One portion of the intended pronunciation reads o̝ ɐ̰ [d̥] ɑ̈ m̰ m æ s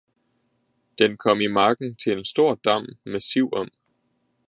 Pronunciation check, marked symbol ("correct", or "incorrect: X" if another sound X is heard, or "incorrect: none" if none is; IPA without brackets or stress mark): correct